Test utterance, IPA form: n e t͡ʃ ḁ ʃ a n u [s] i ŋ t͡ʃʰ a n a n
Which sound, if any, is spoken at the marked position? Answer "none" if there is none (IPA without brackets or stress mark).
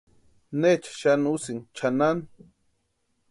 s